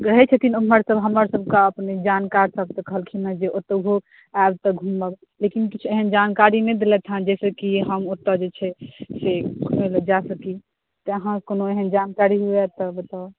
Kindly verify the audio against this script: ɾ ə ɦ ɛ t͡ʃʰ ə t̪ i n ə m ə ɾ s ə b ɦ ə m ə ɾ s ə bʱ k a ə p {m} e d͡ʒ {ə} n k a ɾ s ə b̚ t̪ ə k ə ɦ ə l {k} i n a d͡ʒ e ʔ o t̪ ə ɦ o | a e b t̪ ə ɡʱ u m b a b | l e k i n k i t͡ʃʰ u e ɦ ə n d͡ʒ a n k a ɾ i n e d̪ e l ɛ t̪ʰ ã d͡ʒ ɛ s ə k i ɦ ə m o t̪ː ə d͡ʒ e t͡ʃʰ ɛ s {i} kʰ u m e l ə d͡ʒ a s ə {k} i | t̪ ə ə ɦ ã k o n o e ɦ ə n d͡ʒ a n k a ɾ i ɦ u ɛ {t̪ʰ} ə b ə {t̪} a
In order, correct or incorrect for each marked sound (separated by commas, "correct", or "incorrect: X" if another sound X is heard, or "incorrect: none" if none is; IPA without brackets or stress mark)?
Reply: incorrect: n, incorrect: a, incorrect: kʰ, incorrect: e, correct, incorrect: t̪, correct